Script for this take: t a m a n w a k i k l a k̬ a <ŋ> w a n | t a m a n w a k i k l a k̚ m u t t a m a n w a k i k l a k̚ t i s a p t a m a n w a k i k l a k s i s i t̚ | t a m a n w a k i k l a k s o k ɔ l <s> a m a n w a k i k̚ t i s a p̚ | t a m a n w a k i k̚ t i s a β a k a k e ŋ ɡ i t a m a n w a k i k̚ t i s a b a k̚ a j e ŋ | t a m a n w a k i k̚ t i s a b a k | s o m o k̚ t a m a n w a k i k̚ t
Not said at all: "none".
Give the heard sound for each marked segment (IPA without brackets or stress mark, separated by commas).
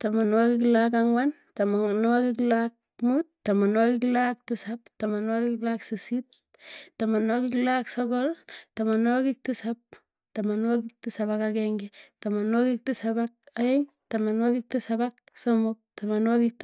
ŋ, t